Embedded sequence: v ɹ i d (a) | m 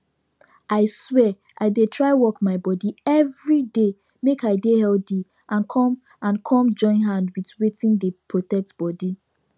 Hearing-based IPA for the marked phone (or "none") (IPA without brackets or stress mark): e